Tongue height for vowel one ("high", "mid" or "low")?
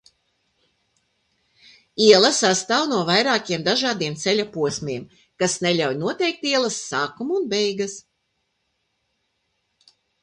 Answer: high